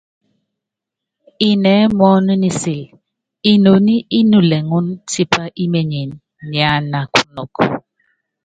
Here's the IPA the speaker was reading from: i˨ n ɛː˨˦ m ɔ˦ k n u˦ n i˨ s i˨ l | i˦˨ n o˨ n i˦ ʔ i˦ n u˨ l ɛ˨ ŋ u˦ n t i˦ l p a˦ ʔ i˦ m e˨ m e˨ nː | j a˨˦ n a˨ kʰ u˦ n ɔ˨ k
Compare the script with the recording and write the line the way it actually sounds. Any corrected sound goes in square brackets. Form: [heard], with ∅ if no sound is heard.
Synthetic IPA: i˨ n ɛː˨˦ m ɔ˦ [∅] n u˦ n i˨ s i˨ l | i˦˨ n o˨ n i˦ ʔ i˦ n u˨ l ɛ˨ ŋ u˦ n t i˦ [∅] p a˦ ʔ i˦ m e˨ [ɲ] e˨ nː | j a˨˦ n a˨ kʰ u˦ n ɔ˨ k